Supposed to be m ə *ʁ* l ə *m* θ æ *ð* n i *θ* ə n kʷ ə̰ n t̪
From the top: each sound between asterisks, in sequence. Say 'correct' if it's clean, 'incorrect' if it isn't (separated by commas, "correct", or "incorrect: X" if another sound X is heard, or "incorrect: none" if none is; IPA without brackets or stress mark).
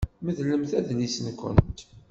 incorrect: ð, correct, correct, incorrect: s